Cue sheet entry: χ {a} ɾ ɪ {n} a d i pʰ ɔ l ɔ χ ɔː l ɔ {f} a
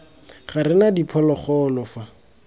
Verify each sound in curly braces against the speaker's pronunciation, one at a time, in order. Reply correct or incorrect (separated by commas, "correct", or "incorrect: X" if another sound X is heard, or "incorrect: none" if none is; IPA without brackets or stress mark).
correct, correct, correct